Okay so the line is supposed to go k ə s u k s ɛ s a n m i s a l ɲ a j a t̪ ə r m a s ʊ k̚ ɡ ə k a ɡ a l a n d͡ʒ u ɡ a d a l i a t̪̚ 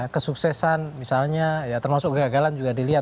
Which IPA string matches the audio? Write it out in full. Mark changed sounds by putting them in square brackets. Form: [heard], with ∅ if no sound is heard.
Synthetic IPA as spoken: k ə s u k s ɛ s a n m i s a l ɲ a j a t̪ ə r m a s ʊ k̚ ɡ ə [ɡ] a ɡ a l a n d͡ʒ u ɡ a d [i] l i a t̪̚